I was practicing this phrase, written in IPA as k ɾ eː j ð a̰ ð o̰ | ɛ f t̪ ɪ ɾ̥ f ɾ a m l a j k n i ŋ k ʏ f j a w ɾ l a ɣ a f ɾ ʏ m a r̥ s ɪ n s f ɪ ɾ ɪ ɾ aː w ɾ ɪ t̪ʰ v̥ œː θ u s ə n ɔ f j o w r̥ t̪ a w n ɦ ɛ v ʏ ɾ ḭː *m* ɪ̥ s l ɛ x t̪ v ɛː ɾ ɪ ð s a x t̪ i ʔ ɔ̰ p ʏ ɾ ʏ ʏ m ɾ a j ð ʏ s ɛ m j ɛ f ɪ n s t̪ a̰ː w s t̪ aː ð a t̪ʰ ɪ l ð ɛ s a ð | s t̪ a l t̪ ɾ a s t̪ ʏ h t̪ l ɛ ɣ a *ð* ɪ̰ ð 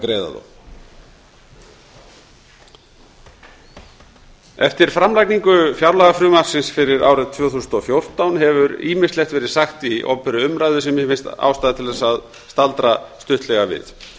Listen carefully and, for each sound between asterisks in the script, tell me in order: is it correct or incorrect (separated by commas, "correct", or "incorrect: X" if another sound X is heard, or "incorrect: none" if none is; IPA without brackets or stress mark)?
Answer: correct, incorrect: v